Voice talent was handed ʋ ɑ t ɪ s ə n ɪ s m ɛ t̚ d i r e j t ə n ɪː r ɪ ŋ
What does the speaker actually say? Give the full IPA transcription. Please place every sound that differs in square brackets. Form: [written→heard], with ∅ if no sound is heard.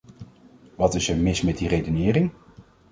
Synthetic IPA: ʋ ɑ t ɪ s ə [n→m] ɪ s m ɛ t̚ d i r e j [t→d] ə n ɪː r ɪ ŋ